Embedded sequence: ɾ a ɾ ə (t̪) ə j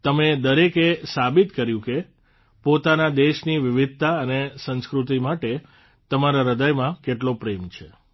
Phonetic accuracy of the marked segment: incorrect: d̪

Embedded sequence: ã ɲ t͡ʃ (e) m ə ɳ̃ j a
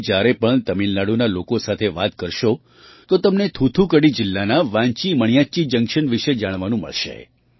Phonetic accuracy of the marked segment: incorrect: i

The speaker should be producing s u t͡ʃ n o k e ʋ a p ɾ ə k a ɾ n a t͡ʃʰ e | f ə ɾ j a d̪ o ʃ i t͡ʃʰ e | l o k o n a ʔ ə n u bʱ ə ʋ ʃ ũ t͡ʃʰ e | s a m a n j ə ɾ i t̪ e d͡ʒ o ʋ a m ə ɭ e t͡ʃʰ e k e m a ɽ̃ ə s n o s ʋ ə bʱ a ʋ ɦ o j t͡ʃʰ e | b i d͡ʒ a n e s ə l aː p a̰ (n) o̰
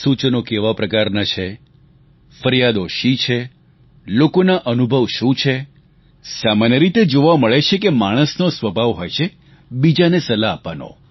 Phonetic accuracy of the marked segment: correct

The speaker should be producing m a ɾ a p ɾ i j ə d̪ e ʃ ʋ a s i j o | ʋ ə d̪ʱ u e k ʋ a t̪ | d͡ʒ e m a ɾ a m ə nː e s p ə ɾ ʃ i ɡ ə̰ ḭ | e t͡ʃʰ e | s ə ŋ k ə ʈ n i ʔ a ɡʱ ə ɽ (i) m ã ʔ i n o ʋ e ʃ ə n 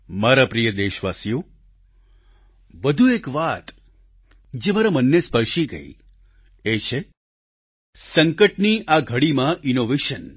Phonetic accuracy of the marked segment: correct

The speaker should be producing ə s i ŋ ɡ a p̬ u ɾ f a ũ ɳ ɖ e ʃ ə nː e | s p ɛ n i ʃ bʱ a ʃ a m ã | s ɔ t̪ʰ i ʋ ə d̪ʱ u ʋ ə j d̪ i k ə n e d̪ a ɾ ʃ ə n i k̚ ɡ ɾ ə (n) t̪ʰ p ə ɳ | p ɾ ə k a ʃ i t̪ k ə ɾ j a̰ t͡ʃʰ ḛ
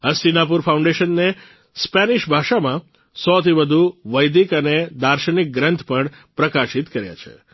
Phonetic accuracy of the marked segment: correct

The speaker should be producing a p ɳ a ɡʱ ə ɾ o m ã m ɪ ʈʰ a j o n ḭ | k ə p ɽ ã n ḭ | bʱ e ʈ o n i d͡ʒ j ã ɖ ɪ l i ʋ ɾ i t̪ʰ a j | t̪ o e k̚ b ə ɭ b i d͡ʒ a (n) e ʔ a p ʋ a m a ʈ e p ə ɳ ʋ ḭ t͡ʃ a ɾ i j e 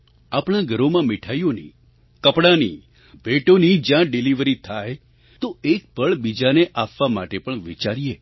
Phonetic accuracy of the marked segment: correct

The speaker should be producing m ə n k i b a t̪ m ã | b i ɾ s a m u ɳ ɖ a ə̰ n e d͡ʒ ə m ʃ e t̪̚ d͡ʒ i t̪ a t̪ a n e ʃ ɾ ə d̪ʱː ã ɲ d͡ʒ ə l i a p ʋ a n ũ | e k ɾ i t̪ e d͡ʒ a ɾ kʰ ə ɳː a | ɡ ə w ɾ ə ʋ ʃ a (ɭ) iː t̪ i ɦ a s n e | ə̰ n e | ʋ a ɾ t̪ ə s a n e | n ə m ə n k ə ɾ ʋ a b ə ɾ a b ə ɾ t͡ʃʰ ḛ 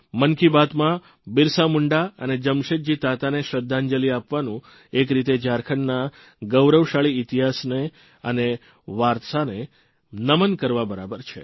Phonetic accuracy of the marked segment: correct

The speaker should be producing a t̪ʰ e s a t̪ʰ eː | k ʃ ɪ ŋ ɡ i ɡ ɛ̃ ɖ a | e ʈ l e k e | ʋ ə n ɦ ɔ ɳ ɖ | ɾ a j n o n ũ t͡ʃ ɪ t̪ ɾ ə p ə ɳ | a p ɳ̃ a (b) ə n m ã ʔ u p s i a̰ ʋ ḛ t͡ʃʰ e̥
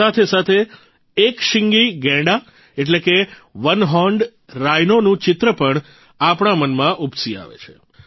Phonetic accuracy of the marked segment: incorrect: m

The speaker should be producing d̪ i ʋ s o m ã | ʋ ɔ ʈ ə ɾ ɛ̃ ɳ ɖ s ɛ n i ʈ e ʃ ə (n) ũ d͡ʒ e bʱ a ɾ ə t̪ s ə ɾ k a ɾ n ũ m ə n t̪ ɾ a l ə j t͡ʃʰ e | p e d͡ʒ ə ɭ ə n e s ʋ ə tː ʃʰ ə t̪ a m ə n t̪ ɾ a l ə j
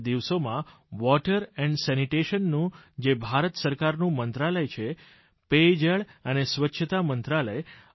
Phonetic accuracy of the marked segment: incorrect: nː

